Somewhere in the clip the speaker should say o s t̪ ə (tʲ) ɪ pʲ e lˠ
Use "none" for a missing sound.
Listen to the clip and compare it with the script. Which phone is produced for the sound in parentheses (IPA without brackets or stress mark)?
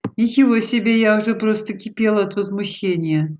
kʲ